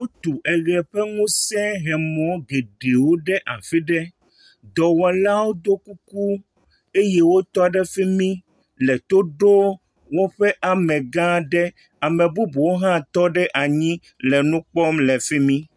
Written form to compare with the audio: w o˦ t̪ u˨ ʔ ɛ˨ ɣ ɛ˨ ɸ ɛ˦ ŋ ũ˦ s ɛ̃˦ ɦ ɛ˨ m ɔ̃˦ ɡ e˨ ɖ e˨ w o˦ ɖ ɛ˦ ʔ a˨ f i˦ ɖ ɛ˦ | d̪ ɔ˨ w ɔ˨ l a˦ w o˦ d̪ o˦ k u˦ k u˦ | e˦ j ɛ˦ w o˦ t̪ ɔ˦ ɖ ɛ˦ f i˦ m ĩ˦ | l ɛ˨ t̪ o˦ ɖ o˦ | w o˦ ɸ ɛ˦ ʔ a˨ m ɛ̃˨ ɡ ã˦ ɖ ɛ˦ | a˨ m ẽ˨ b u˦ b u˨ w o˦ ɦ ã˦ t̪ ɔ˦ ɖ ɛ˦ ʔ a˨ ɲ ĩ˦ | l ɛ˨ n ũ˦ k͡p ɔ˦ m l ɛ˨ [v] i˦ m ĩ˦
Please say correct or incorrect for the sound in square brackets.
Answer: incorrect